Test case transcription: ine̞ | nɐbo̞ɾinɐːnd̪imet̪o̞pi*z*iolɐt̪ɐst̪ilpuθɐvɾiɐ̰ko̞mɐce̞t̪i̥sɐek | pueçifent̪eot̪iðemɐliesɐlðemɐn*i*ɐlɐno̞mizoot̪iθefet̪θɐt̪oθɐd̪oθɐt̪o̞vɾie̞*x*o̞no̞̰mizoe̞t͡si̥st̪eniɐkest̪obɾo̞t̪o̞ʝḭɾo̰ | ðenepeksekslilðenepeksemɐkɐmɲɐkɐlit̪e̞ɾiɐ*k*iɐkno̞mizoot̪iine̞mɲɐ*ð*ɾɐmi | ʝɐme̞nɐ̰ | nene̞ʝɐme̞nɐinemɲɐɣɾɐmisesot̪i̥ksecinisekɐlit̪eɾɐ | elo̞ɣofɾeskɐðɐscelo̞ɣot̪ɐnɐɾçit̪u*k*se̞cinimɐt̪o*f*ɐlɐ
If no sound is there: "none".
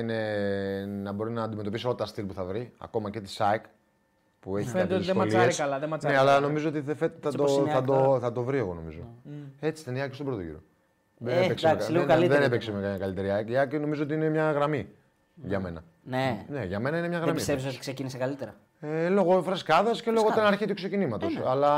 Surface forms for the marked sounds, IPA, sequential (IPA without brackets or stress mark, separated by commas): s, e, ɣ, k, ɣ, k, s